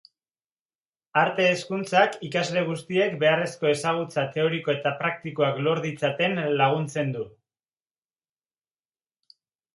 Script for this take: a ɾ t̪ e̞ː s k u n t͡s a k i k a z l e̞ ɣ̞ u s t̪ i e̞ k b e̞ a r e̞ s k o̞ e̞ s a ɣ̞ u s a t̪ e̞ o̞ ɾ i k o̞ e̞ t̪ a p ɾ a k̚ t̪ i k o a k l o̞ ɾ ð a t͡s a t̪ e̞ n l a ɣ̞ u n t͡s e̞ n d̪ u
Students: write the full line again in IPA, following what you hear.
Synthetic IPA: a ɾ t̪ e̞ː s k u n t͡s a k i k a z l e̞ ɣ̞ u s t̪ i e̞ k b e̞ a r e̞ s k o̞ e̞ s a ɣ̞ u t͡s a t̪ e̞ o̞ ɾ i k o̞ e̞ t̪ a p ɾ a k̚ t̪ i k o a k l o̞ ɾ ð i t͡s a t̪ e̞ n l a ɣ̞ u n t͡s e̞ n d̪ u